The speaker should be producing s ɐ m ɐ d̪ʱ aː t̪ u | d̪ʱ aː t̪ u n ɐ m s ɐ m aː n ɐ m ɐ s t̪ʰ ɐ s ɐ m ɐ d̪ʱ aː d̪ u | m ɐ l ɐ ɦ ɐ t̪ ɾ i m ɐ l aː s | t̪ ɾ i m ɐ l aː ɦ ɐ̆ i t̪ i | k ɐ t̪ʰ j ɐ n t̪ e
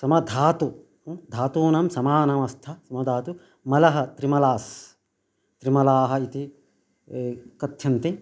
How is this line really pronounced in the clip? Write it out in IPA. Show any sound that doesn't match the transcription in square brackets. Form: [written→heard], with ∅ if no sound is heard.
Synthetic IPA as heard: s ɐ m ɐ d̪ʱ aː t̪ u | d̪ʱ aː t̪ [u→uː] n ɐ m s ɐ m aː n ɐ m ɐ s t̪ʰ ɐ s ɐ m ɐ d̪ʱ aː [d̪→t̪] u | m ɐ l ɐ ɦ ɐ t̪ ɾ i m ɐ l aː s | t̪ ɾ i m ɐ l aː ɦ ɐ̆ i t̪ i | k ɐ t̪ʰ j ɐ n t̪ [e→i]